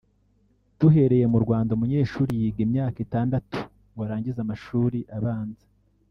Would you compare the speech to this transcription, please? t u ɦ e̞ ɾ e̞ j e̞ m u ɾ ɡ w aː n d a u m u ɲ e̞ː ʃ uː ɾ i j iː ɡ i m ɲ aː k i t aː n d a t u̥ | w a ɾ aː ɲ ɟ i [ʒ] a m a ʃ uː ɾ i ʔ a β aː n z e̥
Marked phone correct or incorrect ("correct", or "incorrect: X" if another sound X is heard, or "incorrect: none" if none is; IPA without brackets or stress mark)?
incorrect: z